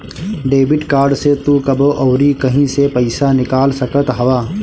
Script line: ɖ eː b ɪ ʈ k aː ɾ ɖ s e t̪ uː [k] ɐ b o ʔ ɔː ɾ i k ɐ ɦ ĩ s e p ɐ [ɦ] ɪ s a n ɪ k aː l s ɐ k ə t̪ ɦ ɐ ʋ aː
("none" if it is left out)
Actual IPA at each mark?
k, none

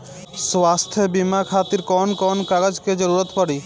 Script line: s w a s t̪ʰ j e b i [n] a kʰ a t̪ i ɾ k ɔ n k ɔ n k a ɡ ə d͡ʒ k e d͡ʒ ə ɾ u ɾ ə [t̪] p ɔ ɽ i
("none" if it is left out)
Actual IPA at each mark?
m, t̪

